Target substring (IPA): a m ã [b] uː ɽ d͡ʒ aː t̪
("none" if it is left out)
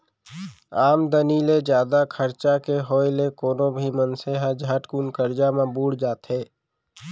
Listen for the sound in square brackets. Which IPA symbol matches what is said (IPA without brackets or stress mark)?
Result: b